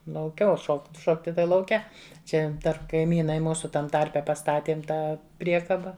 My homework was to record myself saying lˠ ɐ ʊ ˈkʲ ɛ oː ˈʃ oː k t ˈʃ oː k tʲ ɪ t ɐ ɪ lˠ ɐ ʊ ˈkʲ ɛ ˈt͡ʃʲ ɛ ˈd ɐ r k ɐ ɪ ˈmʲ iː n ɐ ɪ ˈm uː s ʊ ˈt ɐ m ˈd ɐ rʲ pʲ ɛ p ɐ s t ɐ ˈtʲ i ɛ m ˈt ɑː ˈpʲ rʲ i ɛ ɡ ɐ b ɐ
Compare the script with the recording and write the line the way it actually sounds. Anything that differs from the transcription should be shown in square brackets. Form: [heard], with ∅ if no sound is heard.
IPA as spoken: lˠ ɐ ʊ ˈkʲ ɛ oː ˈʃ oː k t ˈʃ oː k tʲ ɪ t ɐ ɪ lˠ ɐ ʊ ˈkʲ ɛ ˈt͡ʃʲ ɛ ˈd ɐ r k ɐ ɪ ˈmʲ iː n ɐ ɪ ˈm uː s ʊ ˈt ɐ m [ˈt] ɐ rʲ pʲ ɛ p ɐ s t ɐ ˈtʲ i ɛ m ˈt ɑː ˈpʲ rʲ i ɛ [k] ɐ b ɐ

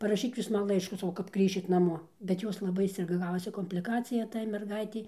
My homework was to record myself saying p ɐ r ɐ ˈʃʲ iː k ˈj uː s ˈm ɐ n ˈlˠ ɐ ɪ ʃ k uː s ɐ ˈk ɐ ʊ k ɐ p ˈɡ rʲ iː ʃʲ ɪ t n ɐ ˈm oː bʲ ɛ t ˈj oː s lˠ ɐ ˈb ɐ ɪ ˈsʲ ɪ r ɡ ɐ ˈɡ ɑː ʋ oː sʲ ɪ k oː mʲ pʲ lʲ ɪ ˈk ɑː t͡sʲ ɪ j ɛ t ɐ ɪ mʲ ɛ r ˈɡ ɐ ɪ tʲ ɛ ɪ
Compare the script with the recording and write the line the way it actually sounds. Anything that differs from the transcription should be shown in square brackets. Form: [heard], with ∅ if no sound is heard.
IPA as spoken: p ɐ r ɐ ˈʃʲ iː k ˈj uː s ˈm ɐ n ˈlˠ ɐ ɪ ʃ k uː s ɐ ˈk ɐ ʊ k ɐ p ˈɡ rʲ iː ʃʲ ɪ t n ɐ ˈm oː bʲ ɛ t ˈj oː s lˠ ɐ ˈb ɐ ɪ ˈsʲ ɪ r ɡ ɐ ˈɡ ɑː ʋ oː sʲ ɪ k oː mʲ pʲ lʲ ɪ ˈk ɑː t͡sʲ ɪ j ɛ t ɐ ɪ mʲ ɛ r ˈɡ ɐ ɪ tʲ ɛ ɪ

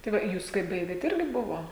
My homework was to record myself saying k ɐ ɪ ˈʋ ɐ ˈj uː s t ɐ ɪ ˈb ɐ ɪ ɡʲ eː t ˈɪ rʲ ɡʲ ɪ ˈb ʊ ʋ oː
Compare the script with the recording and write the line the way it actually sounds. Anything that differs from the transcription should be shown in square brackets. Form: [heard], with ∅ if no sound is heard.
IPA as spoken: [t] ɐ ɪ ˈʋ ɐ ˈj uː s [k] ɐ ɪ ˈb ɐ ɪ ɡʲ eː t ˈɪ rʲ ɡʲ ɪ ˈb ʊ ʋ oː

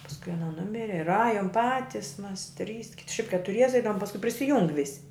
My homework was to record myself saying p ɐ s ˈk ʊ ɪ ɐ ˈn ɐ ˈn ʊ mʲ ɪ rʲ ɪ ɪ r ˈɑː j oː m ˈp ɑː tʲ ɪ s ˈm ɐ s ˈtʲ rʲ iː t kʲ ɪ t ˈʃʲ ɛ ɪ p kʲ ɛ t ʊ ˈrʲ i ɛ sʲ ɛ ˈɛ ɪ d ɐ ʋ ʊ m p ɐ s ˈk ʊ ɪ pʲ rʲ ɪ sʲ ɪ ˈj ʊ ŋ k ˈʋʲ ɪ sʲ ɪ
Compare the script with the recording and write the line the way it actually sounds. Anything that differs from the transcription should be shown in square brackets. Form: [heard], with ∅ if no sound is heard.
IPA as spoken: p ɐ s ˈk ʊ ɪ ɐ ˈn ɐ ˈn ʊ mʲ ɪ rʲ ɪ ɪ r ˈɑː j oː m ˈp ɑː tʲ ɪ s ˈm ɐ s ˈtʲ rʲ iː [s] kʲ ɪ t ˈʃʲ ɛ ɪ p kʲ ɛ t ʊ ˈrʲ i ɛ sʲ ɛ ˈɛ ɪ d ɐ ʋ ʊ m p ɐ s ˈk ʊ ɪ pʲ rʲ ɪ sʲ ɪ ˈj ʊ ŋ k ˈʋʲ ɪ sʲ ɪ

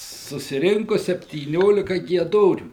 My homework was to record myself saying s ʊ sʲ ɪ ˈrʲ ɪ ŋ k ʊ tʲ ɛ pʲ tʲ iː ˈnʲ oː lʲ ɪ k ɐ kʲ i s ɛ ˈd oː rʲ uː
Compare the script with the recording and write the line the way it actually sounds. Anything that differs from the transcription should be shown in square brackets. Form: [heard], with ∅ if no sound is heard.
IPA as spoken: s ʊ sʲ ɪ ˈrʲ ɪ ŋ k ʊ [sʲ] ɛ pʲ tʲ iː ˈnʲ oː lʲ ɪ k ɐ [ɡʲ] i [∅] ɛ ˈd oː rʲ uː

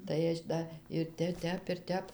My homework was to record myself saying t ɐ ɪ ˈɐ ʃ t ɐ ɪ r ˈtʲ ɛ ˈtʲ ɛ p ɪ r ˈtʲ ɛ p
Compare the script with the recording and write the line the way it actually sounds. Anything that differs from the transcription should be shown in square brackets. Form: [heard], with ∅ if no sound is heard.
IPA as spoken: t ɐ ɪ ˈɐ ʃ [d] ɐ ɪ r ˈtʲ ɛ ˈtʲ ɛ p ɪ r ˈtʲ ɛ p

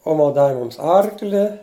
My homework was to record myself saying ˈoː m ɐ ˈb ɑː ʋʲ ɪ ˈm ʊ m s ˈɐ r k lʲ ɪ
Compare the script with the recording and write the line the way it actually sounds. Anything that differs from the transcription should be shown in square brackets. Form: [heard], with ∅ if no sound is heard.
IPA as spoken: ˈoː m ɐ [ˈd] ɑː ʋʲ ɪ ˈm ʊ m s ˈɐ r k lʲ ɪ

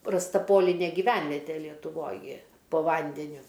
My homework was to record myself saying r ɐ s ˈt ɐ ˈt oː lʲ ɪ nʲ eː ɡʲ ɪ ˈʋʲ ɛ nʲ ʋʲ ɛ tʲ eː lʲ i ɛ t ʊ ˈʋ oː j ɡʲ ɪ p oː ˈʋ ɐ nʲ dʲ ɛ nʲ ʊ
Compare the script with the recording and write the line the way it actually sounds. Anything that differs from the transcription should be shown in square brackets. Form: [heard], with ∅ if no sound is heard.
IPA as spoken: r ɐ s ˈt ɐ [ˈp] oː lʲ ɪ nʲ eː ɡʲ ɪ ˈʋʲ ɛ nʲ ʋʲ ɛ tʲ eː lʲ i ɛ t ʊ ˈʋ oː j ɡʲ ɪ p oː ˈʋ ɐ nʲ dʲ ɛ nʲ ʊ

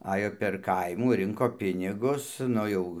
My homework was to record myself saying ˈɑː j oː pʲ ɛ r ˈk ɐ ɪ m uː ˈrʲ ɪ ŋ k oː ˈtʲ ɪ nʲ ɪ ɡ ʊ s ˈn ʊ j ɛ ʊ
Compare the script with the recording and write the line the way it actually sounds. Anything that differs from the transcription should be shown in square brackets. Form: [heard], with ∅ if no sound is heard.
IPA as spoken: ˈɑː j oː pʲ ɛ r ˈk ɐ ɪ m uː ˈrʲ ɪ ŋ k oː [ˈpʲ] ɪ nʲ ɪ ɡ ʊ s ˈn ʊ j ɛ ʊ

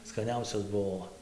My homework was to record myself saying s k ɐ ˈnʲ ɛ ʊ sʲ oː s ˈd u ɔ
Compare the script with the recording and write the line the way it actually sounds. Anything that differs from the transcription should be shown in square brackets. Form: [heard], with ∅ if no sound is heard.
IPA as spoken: s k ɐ ˈnʲ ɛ ʊ sʲ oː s [ˈb] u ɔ

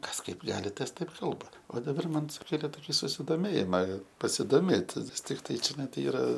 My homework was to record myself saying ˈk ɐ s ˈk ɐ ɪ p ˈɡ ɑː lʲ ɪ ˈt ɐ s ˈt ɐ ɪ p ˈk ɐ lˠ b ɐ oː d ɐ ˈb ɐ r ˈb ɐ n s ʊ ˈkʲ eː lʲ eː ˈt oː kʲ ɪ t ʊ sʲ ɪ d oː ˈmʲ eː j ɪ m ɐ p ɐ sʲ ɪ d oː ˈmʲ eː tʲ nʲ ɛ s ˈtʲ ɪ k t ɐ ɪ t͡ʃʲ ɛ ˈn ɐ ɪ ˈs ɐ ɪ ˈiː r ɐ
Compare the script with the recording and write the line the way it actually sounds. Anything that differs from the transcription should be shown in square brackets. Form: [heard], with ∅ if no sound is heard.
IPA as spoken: ˈk ɐ s ˈk ɐ ɪ p ˈɡ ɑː lʲ ɪ ˈt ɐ s ˈt ɐ ɪ p ˈk ɐ lˠ b ɐ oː d ɐ ˈb ɐ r [ˈm] ɐ n s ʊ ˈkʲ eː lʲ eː ˈt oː kʲ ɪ [s] ʊ sʲ ɪ d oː ˈmʲ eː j ɪ m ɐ p ɐ sʲ ɪ d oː ˈmʲ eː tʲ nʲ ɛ s ˈtʲ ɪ k t ɐ ɪ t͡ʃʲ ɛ ˈn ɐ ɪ [ˈt] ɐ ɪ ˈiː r ɐ

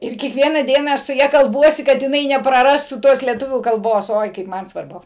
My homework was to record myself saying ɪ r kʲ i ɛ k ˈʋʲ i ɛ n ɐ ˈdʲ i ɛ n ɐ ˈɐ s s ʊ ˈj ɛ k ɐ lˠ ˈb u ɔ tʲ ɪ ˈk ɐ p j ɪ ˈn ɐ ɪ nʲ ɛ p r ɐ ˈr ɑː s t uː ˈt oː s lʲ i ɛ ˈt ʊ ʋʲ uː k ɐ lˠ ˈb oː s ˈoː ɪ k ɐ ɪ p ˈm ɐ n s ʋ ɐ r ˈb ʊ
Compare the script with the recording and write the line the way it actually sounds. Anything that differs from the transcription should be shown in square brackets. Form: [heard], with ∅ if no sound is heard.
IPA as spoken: ɪ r kʲ i ɛ k ˈʋʲ i ɛ n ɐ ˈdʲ i ɛ n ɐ ˈɐ [ʃ] s ʊ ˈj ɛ k ɐ lˠ ˈb u ɔ [sʲ] ɪ ˈk ɐ [t] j ɪ ˈn ɐ ɪ nʲ ɛ p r ɐ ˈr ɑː s t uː ˈt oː s lʲ i ɛ ˈt ʊ ʋʲ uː k ɐ lˠ ˈb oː s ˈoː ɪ k ɐ ɪ p ˈm ɐ n s ʋ ɐ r ˈb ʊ

